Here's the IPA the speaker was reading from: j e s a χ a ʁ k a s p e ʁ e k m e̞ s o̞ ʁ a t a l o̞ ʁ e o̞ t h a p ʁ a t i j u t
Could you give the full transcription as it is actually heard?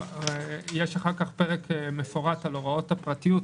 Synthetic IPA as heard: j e ʃ a χ a ʁ k a χ p e ʁ e k m e̞ f o̞ ʁ a t a l o̞ ʁ a o̞ t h a p ʁ a t i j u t